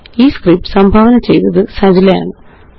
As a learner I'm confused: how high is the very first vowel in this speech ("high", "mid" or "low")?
high